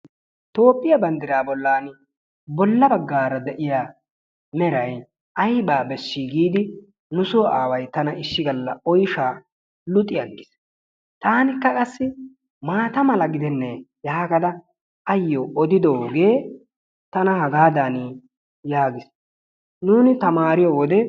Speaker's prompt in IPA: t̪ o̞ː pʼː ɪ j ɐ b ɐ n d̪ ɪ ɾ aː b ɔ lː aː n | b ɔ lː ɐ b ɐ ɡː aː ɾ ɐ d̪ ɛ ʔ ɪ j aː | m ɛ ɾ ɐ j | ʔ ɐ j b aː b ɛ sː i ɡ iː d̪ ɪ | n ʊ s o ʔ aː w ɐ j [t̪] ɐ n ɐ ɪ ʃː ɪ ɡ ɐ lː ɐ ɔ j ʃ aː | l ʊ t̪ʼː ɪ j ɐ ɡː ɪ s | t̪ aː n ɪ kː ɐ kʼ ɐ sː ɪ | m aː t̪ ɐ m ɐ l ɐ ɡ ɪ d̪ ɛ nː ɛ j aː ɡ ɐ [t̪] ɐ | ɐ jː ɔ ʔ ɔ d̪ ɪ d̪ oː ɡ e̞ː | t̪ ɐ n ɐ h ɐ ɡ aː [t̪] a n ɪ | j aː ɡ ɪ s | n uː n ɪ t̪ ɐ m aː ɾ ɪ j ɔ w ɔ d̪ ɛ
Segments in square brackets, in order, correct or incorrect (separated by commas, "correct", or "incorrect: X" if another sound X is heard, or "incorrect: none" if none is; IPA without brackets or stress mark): correct, incorrect: d̪, incorrect: d̪